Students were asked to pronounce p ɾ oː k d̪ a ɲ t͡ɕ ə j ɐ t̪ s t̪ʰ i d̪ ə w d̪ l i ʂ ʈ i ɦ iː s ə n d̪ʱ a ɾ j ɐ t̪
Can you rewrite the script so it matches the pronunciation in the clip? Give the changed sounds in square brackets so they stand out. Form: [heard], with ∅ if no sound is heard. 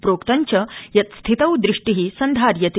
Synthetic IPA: p ɾ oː k [t̪] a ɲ t͡ɕ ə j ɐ t̪ s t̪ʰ i [t̪] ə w d̪ [ɾ] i ʂ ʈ i ɦ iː s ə n d̪ʱ a ɾ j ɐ t̪